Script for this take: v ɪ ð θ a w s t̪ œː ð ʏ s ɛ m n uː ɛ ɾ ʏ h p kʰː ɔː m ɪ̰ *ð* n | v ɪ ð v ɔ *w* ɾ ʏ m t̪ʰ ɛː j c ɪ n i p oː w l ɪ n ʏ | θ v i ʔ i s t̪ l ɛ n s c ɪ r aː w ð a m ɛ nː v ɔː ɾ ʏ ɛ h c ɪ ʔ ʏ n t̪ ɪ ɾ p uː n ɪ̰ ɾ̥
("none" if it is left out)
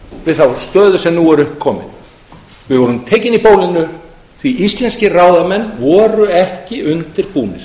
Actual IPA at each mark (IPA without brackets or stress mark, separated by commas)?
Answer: none, none